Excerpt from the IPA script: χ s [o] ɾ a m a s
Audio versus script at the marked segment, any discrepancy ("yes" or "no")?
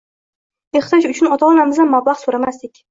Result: no